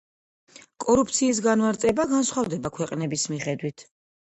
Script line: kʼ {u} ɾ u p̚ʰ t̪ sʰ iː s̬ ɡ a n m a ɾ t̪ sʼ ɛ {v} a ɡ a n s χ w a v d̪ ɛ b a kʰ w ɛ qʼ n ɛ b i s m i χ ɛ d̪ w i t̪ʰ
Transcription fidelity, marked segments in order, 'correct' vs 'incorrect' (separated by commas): incorrect, incorrect